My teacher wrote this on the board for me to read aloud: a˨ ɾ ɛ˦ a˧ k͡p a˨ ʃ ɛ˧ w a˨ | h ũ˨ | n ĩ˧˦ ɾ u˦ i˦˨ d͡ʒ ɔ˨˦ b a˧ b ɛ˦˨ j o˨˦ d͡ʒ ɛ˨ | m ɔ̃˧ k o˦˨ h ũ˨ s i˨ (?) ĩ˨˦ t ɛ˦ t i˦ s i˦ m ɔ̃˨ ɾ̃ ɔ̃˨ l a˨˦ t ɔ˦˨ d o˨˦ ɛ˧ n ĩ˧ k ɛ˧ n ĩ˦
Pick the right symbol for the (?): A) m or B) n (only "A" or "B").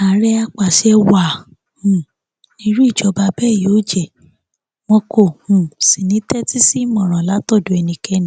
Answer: B